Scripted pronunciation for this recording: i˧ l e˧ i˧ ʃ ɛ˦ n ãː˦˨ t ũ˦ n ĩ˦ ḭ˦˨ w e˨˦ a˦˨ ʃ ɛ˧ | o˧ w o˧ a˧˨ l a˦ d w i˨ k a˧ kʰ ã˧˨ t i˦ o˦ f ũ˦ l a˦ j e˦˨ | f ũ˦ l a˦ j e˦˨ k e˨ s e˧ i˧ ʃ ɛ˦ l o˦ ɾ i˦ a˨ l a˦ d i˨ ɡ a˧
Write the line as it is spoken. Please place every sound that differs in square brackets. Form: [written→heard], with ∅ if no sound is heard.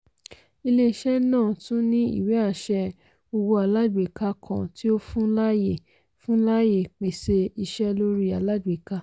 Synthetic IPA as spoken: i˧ l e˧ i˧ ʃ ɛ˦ n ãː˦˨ t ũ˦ n ĩ˦ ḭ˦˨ w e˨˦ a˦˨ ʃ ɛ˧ | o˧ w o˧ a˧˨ l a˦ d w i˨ k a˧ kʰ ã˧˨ t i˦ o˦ f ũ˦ l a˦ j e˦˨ | f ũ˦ l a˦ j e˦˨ [k→k͡p] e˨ s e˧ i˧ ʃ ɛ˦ l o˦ ɾ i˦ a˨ l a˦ d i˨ [ɡ→k] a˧

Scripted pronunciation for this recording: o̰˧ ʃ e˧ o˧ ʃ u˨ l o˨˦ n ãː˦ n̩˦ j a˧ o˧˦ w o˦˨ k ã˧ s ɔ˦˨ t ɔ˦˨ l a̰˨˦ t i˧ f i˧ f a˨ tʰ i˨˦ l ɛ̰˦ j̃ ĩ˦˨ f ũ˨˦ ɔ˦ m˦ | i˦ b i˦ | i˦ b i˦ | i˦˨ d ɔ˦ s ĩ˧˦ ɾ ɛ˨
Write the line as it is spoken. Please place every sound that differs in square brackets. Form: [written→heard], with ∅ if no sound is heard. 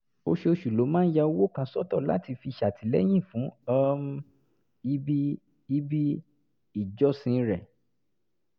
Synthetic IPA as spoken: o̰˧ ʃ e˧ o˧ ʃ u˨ l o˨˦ [n→m] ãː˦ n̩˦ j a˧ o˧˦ w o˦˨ k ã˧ s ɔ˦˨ t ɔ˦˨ l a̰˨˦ t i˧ f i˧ [f→ʃ] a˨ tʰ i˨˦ l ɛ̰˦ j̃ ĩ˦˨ f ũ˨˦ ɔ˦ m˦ | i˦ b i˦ | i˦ b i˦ | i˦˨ [d→d͡ʒ] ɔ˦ s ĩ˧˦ ɾ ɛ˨

